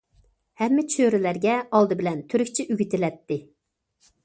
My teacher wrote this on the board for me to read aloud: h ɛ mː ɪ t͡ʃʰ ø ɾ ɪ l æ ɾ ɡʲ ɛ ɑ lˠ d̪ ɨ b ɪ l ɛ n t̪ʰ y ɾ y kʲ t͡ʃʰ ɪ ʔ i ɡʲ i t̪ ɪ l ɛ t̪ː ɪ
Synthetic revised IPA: h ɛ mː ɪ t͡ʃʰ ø ɾ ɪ l æ ɾ ɡʲ ɛ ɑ lˠ d̪ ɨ b ɪ l ɛ n t̪ʰ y ɾ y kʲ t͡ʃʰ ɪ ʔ y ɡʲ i t̪ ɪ l ɛ t̪ː ɪ